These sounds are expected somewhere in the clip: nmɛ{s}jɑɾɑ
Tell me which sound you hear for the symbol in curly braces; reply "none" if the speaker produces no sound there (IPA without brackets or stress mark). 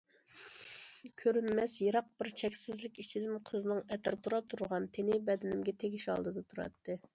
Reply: s